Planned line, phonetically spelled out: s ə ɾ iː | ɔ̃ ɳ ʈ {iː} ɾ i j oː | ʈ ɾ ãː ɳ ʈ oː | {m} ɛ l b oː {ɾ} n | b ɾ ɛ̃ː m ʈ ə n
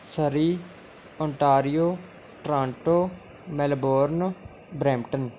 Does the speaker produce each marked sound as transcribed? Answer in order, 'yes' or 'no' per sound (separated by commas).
no, yes, yes